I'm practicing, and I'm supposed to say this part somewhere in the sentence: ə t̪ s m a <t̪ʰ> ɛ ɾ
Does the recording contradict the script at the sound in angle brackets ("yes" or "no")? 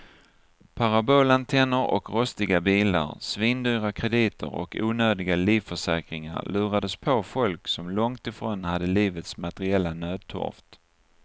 yes